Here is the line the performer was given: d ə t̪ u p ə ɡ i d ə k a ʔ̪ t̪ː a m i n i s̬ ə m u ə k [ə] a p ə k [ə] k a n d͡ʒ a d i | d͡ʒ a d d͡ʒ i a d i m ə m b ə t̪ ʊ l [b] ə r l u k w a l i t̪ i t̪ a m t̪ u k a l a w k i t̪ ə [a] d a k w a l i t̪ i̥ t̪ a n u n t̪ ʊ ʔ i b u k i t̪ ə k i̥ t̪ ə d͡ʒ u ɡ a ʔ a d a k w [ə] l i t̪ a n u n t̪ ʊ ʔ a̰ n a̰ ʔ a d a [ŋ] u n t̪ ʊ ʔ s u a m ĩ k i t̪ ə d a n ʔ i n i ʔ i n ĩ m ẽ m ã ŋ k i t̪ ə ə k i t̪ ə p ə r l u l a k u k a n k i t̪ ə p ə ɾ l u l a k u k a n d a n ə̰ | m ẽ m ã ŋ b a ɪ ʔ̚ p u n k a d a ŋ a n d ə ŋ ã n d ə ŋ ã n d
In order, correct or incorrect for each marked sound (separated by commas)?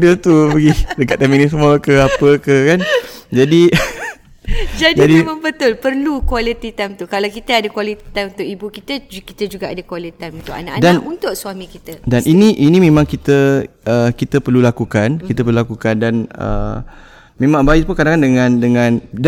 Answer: correct, correct, incorrect, correct, incorrect, incorrect